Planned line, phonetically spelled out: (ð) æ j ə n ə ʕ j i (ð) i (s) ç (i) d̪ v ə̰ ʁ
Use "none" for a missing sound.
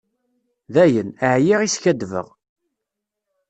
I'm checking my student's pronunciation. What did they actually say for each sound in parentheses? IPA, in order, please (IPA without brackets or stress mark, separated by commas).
ð, ʁ, s, æ